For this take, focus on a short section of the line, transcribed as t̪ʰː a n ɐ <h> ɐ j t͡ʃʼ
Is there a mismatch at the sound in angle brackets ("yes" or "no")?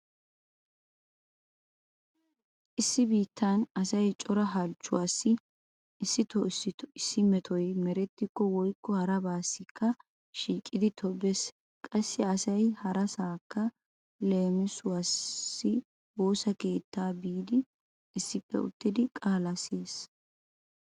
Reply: yes